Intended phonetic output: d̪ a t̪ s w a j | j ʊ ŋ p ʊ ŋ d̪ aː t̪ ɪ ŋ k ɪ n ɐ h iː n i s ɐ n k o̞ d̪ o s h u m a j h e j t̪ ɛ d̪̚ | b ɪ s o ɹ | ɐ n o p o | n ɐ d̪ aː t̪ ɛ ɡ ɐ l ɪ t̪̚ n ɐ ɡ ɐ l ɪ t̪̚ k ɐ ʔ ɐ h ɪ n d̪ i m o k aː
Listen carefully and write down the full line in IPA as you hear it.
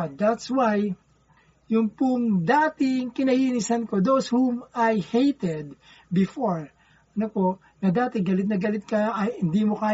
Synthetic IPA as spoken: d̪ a t̪ s w a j | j ʊ ŋ p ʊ ŋ d̪ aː t̪ ɪ ŋ k ɪ n ɐ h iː n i s ɐ n k o̞ d̪ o s h u m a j h e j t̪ ɛ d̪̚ | b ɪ f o ɹ | ɐ n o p o | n ɐ d̪ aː t̪ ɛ ɡ ɐ l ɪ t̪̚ n ɐ ɡ ɐ l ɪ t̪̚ k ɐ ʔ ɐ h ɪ n d̪ i m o k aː